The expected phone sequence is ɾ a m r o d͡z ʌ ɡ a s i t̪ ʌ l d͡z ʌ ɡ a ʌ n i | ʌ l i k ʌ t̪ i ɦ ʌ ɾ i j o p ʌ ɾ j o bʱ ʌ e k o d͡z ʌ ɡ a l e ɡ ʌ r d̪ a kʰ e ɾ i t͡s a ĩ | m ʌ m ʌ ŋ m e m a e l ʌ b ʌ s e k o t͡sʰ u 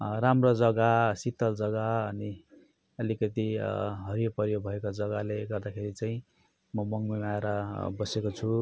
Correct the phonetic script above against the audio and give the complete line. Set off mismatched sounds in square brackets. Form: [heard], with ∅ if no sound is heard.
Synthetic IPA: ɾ a m r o d͡z ʌ ɡ a s i t̪ ʌ l d͡z ʌ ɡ a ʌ n i | ʌ l i k ʌ t̪ i ɦ ʌ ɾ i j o p ʌ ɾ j o bʱ ʌ e k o d͡z ʌ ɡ a l e ɡ ʌ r d̪ a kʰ e ɾ i t͡s a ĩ | m ʌ m ʌ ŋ m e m a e [ɾ] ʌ b ʌ s e k o t͡sʰ u